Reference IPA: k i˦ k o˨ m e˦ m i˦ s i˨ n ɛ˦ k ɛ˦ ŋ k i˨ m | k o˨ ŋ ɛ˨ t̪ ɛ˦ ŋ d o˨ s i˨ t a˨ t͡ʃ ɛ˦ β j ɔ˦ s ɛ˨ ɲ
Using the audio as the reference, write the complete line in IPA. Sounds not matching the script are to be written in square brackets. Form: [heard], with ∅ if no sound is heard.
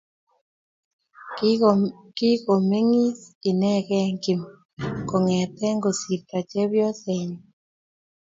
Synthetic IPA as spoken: k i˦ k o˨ m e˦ [ŋ] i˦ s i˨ n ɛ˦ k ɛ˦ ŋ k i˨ m | k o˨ ŋ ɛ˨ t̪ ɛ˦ ŋ [ɡ] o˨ s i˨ t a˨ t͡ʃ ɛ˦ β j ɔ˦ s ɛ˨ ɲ